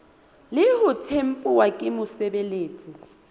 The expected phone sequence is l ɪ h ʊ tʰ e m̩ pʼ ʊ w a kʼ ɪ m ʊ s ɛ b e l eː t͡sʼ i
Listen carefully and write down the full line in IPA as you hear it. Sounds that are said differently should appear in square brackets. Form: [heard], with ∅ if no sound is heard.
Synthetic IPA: l ɪ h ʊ tʰ e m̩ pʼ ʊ w a kʼ ɪ m ʊ s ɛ b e l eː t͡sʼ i